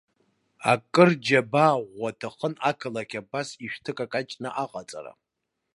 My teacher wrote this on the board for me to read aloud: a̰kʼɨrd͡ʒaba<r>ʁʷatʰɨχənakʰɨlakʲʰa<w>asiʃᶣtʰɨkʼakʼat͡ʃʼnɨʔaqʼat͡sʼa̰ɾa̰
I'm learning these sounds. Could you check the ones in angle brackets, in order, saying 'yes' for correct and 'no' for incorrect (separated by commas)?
no, no